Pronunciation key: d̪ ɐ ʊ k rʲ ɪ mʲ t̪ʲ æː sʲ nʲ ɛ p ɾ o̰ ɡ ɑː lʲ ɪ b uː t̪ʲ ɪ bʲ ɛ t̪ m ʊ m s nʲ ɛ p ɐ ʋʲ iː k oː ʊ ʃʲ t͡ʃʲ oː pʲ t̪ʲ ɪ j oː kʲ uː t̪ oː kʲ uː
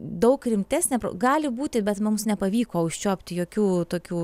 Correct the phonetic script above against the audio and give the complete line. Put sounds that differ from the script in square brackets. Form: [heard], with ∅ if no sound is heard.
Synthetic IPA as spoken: d̪ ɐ ʊ k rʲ ɪ mʲ t̪ʲ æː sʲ nʲ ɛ p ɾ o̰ ɡ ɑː lʲ ɪ b uː t̪ʲ ɪ bʲ ɛ t̪ m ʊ m s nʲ ɛ p ɐ ʋʲ iː k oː ʊ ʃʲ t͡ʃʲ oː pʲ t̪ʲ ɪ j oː kʲ uː t̪ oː kʲ uː